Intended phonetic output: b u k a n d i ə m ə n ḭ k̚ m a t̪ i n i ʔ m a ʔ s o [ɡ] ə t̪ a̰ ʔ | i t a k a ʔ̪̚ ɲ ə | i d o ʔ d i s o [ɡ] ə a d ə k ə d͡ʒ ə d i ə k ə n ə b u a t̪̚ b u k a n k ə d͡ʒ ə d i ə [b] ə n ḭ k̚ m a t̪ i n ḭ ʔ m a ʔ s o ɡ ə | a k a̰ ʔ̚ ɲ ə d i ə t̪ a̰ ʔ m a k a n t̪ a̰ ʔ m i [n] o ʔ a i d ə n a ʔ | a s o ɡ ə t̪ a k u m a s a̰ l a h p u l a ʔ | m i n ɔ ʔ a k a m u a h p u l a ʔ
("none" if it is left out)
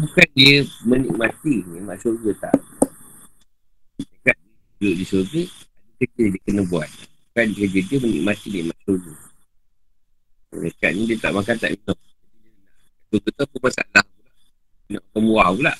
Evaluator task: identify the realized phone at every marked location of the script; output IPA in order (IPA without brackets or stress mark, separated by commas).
ɡ, ɡ, m, n